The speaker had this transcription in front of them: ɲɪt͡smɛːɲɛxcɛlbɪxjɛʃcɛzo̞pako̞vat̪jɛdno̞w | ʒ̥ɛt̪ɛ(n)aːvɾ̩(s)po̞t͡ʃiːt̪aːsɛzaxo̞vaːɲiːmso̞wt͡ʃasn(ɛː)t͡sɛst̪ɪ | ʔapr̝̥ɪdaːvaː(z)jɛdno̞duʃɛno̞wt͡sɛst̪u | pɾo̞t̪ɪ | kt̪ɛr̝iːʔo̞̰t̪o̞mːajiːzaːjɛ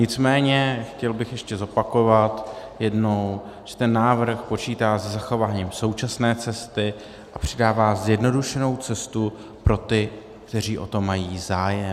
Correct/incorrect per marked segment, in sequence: incorrect: nː, incorrect: x, correct, correct

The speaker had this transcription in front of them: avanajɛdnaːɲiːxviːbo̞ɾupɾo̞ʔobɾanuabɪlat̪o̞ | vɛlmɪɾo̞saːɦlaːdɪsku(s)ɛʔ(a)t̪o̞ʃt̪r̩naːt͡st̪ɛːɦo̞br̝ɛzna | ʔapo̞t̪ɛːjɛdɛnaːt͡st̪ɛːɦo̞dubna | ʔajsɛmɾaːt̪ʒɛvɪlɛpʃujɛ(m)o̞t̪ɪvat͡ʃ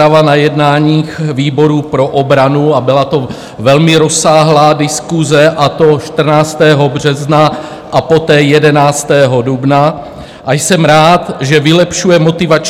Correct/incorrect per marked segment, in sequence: incorrect: z, correct, correct

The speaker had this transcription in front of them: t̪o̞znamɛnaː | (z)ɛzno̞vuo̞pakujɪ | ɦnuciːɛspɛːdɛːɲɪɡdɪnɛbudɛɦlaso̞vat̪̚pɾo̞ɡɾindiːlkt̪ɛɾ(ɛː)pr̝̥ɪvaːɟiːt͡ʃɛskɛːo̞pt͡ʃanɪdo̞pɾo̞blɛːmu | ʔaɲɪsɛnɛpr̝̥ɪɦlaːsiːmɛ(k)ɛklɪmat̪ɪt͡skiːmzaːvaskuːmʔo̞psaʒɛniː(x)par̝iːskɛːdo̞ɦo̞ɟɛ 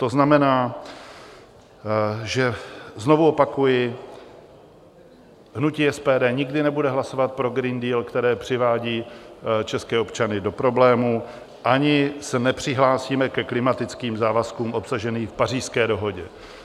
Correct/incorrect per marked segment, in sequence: incorrect: ʒ, correct, correct, incorrect: f

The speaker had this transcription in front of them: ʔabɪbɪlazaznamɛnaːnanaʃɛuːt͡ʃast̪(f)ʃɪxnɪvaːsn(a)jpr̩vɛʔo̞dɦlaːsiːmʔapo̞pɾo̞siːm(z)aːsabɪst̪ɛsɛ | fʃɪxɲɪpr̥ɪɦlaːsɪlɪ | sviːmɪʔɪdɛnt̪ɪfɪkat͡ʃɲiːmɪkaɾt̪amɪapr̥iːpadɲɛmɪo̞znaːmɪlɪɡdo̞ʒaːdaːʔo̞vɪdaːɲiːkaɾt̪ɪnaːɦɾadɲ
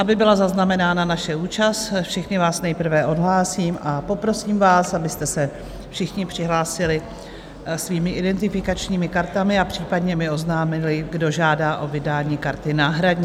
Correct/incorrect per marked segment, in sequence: correct, incorrect: ɛ, incorrect: v

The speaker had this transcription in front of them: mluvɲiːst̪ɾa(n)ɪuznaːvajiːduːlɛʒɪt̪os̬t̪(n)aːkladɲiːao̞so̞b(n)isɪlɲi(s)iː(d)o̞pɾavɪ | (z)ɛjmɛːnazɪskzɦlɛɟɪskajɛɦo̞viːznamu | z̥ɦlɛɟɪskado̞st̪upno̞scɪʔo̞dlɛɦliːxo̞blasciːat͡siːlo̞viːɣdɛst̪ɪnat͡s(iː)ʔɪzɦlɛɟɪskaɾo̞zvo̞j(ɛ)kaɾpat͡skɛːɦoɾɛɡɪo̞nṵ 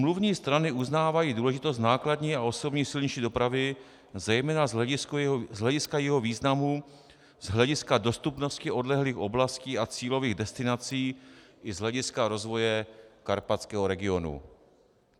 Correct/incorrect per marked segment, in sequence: correct, correct, incorrect: ɲ, incorrect: ʃ, correct, correct, correct, correct

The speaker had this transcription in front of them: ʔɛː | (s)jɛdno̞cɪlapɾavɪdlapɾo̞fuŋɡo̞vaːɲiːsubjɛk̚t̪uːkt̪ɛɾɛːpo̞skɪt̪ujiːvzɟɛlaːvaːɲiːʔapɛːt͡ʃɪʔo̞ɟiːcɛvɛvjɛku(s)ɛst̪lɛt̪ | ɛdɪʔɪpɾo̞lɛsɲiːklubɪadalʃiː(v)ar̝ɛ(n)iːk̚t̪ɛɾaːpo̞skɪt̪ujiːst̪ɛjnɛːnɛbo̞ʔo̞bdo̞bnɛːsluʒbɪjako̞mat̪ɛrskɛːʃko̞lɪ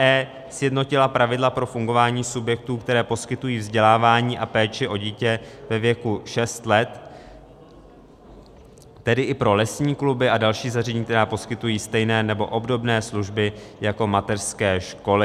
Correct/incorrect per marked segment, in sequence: correct, incorrect: ʃ, incorrect: z, incorrect: ɲ

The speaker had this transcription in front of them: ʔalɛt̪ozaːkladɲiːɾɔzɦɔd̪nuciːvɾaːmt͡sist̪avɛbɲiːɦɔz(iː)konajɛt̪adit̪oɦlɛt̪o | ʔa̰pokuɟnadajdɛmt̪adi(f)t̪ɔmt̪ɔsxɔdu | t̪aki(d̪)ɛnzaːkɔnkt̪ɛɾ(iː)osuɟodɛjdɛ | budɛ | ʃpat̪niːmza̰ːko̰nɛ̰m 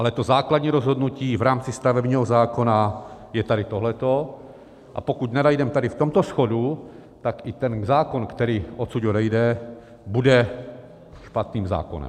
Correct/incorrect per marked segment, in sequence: incorrect: aː, correct, incorrect: t̪, correct

